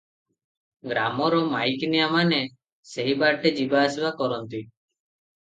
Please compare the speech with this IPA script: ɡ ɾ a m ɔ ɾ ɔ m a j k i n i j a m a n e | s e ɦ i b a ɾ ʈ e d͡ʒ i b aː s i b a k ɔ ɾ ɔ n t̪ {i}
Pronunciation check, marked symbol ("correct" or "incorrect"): correct